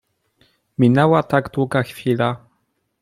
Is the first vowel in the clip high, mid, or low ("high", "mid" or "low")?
high